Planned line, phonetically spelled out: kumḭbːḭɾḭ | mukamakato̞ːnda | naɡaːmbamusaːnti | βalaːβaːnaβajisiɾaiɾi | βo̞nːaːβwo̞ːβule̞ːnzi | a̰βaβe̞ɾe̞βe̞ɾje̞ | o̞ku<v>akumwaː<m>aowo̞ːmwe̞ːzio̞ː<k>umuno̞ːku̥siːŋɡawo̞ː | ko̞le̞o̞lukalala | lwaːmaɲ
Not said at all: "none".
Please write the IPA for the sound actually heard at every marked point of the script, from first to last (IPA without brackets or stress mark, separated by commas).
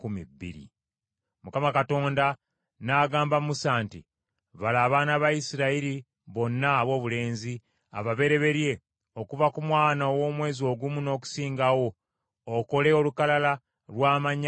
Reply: v, n, ɡ